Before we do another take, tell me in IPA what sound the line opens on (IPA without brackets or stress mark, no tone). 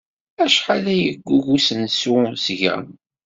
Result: æ